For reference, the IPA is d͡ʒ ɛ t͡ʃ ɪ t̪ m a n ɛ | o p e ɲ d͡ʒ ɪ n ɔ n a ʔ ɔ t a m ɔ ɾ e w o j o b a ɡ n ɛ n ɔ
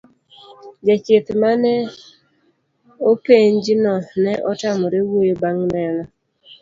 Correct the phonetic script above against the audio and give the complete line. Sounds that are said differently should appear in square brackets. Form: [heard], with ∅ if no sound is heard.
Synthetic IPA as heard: d͡ʒ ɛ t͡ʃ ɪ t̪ m a n ɛ | o p e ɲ d͡ʒ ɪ n ɔ n [ɛ] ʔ ɔ t a m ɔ ɾ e w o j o b a [ŋ] n ɛ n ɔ

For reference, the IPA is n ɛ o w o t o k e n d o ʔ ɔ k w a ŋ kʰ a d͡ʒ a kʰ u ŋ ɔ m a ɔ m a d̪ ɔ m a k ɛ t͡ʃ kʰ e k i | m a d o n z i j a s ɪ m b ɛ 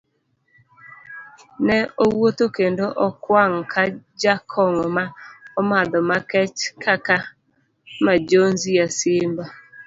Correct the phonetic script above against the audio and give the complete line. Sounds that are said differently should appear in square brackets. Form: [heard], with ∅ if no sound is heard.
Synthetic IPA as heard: n ɛ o w o t o k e n d o ʔ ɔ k w a ŋ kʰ a d͡ʒ a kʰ [ɔ] ŋ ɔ m a ɔ m a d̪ ɔ m a k ɛ t͡ʃ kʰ [a] k [a] | m a [d͡ʒ] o n z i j a s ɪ m b [a]

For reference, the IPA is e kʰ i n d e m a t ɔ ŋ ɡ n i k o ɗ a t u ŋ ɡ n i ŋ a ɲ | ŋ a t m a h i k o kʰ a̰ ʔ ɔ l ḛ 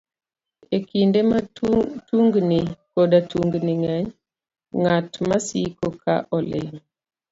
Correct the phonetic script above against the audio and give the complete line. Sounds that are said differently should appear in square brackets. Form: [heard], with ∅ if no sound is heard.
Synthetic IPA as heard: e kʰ i n d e m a t [u] ŋ ɡ n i k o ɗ a t u ŋ ɡ n i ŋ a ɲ | ŋ a t m a [s] i k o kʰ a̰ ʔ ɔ l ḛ

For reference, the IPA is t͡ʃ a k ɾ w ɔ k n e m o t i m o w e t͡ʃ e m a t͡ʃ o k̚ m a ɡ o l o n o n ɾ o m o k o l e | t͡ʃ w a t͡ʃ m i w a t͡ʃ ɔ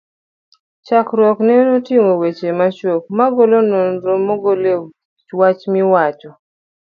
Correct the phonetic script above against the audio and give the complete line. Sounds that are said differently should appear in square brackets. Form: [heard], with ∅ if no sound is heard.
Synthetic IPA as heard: t͡ʃ a k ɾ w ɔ k n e [n] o t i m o w e t͡ʃ e m a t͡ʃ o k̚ m a ɡ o l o n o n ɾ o m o [ɡ] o l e | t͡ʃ w a t͡ʃ m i w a t͡ʃ ɔ

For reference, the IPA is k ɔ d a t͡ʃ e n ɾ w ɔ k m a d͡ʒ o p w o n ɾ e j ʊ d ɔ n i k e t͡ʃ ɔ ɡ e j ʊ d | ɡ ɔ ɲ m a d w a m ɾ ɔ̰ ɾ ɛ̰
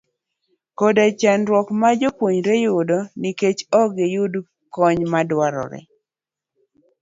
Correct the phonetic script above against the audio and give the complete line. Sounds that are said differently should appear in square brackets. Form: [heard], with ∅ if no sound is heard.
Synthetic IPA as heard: k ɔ d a t͡ʃ [a] n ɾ w ɔ k m a d͡ʒ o p w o [ɲ] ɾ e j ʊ d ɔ n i k e t͡ʃ ɔ ɡ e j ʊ d | [k] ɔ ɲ m a d w a [∅] ɾ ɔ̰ ɾ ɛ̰

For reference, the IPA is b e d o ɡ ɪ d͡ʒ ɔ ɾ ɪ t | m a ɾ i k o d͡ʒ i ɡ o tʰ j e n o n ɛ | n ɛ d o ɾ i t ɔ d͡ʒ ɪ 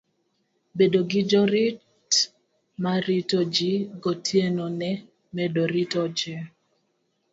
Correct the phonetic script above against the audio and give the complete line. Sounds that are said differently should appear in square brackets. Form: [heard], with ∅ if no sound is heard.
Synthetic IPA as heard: b e d o ɡ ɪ d͡ʒ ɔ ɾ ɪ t | m a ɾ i [t] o d͡ʒ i ɡ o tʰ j e n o n ɛ | [m] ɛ d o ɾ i t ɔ d͡ʒ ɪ

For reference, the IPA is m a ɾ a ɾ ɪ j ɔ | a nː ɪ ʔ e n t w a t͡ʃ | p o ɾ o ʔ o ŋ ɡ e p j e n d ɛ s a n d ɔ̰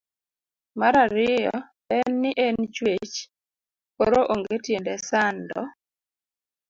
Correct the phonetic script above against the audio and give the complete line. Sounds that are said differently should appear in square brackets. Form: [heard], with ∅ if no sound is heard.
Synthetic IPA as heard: m a ɾ a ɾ ɪ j ɔ | [ɛ] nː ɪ ʔ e n [t͡ʃ] w [e] t͡ʃ | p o ɾ o ʔ o ŋ ɡ e [t] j e n d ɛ s a n d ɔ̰

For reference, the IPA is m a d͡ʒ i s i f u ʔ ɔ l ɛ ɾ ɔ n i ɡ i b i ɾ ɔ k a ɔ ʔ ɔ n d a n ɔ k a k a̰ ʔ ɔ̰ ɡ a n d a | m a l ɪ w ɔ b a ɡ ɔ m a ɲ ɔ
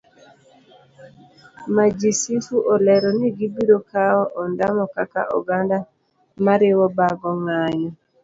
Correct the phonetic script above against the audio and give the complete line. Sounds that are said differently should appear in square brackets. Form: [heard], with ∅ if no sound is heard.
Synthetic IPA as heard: m a d͡ʒ i s i f u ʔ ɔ l ɛ ɾ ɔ n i ɡ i b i ɾ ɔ k a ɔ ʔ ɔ n d a [m] ɔ k a k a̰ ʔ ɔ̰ ɡ a n d a | m a [ɾ] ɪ w ɔ b a ɡ ɔ [ŋ] a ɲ ɔ

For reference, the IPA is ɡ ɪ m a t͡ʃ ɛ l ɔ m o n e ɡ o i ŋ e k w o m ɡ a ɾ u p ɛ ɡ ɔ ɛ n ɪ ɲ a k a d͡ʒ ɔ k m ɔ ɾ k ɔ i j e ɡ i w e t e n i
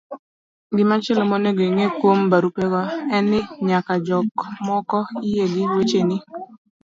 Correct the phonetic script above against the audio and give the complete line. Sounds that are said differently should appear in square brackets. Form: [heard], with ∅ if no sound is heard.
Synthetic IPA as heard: ɡ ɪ m a t͡ʃ ɛ l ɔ m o n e ɡ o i ŋ e k w o m [b] a ɾ u p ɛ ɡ ɔ ɛ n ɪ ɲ a k a d͡ʒ ɔ k m ɔ [∅] k ɔ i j e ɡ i w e [t͡ʃ] e n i

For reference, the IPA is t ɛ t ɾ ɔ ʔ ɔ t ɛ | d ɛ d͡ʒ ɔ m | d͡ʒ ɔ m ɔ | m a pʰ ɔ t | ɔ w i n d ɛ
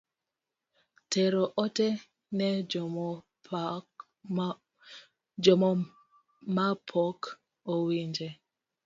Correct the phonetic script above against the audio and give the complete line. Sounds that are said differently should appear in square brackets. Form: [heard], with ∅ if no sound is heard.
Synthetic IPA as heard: t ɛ [∅] ɾ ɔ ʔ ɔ t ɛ | [n] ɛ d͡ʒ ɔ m | d͡ʒ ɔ m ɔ | m a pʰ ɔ [k] | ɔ w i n [d͡ʒ] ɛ

